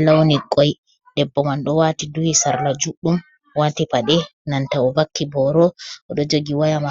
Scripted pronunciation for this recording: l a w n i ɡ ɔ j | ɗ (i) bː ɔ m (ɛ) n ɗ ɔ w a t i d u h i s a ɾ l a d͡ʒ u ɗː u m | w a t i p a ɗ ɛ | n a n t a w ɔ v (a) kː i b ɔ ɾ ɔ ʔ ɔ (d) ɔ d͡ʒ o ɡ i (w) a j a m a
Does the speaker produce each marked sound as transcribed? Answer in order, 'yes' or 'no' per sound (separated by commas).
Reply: no, no, yes, no, yes